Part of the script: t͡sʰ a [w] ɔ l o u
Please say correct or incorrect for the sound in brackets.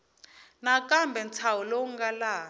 correct